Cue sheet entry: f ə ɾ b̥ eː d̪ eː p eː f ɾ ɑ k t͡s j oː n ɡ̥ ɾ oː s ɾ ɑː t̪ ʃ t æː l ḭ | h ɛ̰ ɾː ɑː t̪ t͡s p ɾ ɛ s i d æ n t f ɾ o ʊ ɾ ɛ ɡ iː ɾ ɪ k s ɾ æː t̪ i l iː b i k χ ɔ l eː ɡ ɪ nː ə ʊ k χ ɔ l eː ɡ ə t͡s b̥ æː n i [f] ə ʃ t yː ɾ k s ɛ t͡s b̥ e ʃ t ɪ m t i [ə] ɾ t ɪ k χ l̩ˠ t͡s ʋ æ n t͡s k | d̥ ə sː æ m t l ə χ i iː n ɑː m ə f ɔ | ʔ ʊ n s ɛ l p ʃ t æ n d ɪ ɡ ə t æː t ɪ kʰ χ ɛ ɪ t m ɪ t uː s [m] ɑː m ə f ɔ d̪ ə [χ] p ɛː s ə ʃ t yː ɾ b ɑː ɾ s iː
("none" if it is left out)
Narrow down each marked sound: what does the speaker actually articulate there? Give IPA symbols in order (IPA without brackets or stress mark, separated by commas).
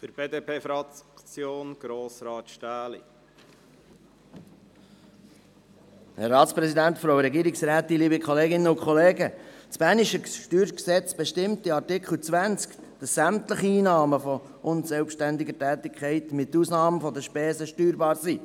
ʃ, ɑ, n, ʃ